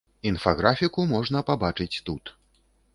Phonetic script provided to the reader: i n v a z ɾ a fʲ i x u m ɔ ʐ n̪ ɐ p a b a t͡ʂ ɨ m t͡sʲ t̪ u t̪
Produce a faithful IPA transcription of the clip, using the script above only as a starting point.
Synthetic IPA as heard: i n f a ɣ ɾ a fʲ i k u m ɔ ʐ n̪ ɐ p a b a t͡ʂ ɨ t͡sʲ t̪ u t̪